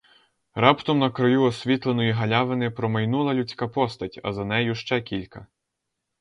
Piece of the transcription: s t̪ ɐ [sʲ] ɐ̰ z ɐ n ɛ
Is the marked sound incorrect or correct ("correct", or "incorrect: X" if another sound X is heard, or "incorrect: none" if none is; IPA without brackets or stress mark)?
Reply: incorrect: tʲ